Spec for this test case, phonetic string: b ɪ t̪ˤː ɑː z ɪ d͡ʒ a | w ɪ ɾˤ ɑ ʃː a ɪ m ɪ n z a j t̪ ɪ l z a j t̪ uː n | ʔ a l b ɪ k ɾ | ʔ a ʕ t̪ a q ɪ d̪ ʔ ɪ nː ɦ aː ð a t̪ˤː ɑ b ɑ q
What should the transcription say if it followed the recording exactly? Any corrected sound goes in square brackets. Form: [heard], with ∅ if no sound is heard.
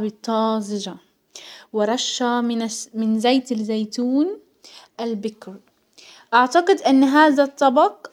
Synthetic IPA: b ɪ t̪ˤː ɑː z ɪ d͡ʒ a | w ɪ ɾˤ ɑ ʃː a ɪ m ɪ n z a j t̪ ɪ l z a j t̪ uː n | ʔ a l b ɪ k ɾ | ʔ a ʕ t̪ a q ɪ d̪ ʔ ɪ nː ɦ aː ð a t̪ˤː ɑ b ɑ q